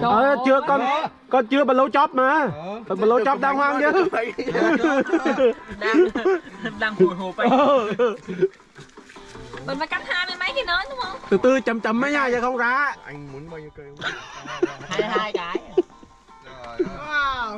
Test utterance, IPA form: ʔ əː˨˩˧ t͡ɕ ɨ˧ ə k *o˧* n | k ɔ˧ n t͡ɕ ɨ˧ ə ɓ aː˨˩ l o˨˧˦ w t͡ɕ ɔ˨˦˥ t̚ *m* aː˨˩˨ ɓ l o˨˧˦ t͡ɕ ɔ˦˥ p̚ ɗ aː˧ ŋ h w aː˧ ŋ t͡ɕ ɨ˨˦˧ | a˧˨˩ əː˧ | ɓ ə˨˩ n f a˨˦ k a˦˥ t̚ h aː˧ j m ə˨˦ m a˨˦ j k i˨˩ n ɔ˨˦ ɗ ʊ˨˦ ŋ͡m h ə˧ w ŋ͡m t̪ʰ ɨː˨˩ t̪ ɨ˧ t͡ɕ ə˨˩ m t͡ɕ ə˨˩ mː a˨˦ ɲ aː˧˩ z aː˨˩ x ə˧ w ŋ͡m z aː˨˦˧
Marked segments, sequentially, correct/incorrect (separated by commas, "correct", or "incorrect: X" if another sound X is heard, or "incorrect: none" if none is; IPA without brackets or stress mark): incorrect: ɔ˧, correct